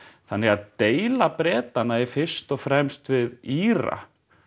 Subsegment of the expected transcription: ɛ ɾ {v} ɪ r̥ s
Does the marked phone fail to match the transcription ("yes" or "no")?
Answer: yes